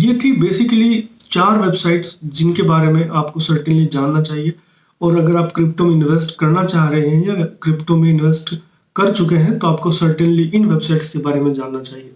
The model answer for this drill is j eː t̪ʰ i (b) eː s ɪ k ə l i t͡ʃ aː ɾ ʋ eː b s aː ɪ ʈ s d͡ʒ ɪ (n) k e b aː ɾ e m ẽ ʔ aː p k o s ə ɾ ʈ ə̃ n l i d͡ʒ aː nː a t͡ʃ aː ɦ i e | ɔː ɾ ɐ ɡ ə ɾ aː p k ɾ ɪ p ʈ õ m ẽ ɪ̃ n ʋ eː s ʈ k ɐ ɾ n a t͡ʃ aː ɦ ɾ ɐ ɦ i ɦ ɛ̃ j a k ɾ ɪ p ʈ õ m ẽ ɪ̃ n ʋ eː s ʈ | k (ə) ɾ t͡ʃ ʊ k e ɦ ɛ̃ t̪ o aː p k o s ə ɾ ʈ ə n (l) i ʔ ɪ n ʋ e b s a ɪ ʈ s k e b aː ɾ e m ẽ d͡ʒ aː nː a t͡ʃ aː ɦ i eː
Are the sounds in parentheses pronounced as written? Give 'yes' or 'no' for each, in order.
yes, yes, no, yes

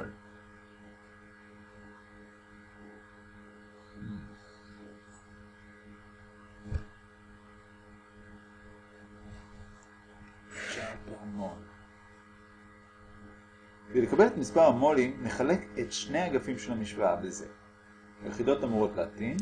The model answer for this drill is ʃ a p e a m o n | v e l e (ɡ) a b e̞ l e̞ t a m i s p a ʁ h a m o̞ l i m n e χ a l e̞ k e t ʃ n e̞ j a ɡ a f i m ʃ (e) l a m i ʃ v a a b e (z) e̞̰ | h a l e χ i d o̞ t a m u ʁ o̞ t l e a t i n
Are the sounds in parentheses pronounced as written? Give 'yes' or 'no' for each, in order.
no, yes, yes

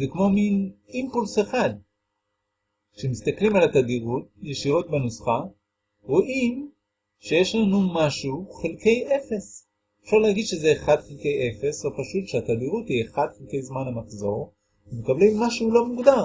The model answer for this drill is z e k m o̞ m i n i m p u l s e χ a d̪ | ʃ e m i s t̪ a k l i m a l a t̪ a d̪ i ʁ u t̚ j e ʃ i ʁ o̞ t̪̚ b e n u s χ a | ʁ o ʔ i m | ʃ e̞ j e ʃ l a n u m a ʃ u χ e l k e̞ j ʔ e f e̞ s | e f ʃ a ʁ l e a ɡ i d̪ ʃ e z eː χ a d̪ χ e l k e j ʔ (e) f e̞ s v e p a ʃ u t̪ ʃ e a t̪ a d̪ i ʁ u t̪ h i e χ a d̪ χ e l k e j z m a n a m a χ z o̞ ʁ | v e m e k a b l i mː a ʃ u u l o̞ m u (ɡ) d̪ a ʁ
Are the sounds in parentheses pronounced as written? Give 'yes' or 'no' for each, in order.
yes, yes

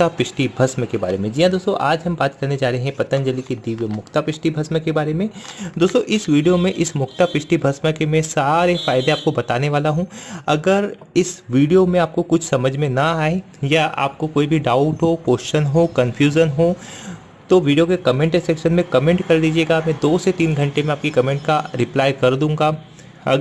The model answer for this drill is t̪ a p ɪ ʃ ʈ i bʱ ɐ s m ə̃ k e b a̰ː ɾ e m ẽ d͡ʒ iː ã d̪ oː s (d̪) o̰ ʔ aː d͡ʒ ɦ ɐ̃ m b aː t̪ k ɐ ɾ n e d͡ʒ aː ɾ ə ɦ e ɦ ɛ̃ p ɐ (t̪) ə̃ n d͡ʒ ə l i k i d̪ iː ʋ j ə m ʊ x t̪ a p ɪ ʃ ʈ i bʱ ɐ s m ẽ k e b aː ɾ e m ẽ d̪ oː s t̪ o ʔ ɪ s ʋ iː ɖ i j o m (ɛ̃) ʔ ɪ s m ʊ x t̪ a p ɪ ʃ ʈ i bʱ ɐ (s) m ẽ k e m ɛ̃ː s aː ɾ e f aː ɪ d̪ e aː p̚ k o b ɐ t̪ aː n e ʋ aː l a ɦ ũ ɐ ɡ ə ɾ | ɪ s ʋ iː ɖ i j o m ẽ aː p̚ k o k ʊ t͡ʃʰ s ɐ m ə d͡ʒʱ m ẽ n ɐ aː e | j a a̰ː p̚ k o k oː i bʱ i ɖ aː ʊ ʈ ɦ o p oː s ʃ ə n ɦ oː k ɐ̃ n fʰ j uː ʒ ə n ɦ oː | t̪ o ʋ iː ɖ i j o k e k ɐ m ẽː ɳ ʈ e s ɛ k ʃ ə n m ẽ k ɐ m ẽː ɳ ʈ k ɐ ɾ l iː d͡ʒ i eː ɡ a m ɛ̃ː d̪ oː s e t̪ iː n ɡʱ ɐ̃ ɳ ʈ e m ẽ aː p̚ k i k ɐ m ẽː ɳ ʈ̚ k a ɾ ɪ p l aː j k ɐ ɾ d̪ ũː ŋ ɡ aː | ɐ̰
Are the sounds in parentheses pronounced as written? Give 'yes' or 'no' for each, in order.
no, yes, no, yes

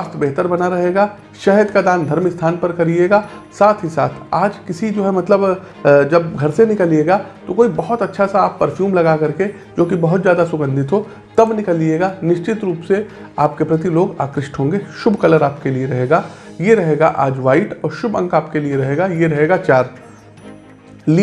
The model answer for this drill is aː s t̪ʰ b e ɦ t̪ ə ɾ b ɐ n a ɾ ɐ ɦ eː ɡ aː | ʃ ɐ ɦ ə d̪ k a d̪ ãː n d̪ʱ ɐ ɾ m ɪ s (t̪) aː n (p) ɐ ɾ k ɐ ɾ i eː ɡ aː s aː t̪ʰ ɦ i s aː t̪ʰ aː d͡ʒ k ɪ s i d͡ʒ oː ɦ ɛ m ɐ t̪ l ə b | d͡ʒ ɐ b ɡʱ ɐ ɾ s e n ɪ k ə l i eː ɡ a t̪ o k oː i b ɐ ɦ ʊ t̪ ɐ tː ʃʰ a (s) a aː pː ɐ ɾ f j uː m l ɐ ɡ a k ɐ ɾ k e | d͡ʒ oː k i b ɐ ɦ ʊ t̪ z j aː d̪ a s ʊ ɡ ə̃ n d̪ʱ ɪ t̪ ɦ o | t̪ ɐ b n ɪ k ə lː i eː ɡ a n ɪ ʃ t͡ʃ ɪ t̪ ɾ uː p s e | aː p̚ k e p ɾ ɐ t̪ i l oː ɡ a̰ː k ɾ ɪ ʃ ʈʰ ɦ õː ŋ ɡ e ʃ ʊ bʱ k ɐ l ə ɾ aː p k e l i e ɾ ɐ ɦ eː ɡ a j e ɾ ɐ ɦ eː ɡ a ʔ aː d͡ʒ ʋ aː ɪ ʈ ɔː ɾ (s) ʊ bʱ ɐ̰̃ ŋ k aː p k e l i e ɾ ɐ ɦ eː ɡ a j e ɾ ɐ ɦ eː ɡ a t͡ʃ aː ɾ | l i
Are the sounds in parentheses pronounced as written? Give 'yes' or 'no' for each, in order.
no, yes, yes, no

